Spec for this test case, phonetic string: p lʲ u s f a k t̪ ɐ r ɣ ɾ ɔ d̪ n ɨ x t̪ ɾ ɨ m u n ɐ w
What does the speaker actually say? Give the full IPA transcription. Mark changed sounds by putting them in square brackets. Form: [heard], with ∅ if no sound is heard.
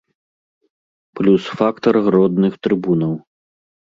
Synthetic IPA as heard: p lʲ u s f a k t̪ ɐ r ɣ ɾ ɔ d̪ n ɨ x t̪ ɾ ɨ [b] u n ɐ w